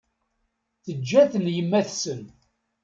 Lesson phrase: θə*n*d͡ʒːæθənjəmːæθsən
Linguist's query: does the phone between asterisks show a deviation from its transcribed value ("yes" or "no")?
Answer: yes